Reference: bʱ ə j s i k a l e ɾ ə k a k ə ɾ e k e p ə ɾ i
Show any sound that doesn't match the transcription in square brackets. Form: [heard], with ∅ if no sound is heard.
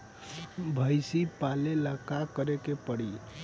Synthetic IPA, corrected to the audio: bʱ ə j s i [p] a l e [l] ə k a k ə ɾ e k e p ə [ɽ] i